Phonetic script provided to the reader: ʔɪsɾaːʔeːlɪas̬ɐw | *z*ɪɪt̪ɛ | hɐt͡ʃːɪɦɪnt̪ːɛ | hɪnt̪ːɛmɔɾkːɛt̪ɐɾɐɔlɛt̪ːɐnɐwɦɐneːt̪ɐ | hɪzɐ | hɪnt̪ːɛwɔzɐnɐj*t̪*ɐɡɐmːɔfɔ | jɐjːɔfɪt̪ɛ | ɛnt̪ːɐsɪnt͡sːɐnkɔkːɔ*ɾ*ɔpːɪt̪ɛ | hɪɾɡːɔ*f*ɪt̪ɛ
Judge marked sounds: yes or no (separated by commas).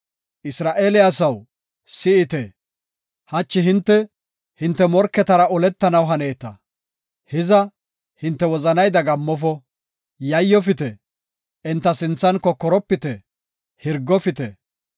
no, no, yes, yes